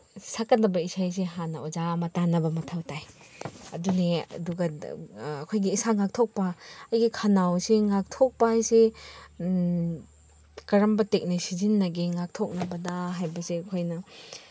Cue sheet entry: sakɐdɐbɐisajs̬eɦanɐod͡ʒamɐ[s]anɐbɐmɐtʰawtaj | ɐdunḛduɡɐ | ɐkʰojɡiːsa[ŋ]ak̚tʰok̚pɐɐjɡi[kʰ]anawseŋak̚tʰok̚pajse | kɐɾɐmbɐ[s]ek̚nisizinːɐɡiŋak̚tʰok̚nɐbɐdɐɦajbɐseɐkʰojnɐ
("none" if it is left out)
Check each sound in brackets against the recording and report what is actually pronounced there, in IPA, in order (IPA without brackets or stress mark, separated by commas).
t, ŋ, kʰ, t